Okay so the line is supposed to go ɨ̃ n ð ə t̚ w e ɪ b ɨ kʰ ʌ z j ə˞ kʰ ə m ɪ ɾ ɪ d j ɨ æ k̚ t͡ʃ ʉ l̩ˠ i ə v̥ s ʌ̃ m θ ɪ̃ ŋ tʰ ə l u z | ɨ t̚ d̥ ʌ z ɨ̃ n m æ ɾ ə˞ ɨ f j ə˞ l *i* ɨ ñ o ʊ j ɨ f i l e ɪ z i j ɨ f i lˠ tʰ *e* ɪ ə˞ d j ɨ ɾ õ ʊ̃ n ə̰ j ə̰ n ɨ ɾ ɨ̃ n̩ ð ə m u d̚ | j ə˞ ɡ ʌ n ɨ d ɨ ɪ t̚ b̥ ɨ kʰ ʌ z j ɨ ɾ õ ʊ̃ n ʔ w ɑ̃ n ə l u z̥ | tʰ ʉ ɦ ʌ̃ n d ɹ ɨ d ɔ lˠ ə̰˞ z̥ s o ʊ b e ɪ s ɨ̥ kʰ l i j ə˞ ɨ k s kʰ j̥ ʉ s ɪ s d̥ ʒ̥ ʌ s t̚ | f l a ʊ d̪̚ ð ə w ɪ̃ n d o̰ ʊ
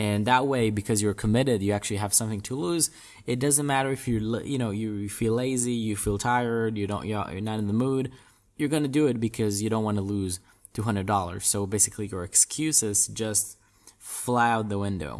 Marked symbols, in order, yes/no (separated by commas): no, no